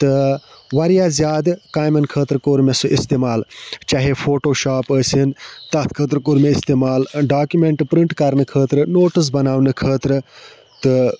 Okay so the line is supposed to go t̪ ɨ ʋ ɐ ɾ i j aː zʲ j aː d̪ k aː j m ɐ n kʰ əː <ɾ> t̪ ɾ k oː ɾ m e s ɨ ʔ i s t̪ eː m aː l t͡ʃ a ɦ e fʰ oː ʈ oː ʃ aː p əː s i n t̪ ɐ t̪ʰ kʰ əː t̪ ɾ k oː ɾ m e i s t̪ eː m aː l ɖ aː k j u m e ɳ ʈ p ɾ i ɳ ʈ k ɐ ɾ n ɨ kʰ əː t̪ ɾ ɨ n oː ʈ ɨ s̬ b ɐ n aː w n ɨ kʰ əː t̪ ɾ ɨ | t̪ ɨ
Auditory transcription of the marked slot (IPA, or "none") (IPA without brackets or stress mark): none